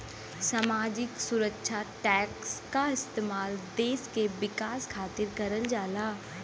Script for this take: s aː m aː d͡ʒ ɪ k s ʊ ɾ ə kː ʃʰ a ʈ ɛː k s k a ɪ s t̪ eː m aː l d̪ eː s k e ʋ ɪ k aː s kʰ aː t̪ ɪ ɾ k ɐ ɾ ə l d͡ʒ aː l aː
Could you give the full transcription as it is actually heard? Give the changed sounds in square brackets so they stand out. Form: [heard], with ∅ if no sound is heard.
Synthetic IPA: s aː m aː d͡ʒ ɪ k s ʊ ɾ ə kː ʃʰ a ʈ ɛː k s k a ɪ s t̪ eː m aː l d̪ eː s k e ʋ ɪ k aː s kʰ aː t̪ ɪ ɾ k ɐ ɾ ə l d͡ʒ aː l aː